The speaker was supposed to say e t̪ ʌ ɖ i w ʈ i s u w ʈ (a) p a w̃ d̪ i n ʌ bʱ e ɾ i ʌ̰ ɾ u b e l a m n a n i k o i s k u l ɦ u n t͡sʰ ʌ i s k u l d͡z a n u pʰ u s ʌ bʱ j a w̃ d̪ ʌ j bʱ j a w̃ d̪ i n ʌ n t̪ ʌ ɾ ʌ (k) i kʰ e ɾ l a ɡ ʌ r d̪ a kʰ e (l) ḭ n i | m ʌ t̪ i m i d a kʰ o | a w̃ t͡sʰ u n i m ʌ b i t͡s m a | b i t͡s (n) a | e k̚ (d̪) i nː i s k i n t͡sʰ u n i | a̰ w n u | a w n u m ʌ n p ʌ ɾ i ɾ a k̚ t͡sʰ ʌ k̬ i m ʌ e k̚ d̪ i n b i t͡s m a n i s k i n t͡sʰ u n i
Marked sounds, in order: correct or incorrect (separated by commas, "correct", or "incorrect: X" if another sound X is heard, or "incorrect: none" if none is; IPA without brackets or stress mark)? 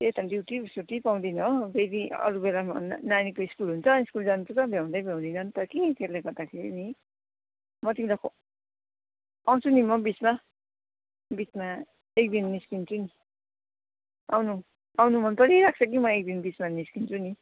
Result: incorrect: i, correct, incorrect: ɾ, incorrect: m, correct